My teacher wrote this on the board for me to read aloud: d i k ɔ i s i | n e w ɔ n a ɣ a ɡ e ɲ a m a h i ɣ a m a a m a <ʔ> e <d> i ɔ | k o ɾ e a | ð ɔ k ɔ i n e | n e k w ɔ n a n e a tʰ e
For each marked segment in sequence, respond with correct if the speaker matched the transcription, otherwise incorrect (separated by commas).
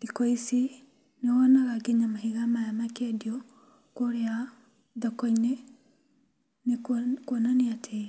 incorrect, correct